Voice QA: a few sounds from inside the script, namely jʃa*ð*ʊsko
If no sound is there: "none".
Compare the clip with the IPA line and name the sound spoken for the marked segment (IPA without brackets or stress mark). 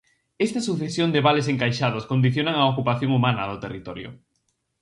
ð